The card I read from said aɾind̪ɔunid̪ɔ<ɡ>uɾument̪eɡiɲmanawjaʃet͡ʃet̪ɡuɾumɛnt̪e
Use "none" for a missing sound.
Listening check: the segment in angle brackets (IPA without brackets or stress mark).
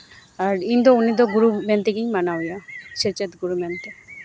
ɡ